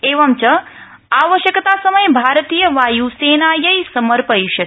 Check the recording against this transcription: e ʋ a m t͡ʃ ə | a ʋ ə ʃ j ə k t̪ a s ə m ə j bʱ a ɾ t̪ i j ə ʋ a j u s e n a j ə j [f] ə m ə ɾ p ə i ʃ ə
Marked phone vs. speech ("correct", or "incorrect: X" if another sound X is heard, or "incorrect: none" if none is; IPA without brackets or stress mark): incorrect: s